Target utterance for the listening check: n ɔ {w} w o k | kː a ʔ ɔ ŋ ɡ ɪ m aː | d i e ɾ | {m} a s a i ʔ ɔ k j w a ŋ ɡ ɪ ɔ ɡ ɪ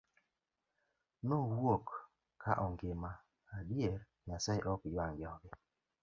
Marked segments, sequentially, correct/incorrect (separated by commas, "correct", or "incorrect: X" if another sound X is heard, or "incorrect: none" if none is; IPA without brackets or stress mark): correct, incorrect: ɲ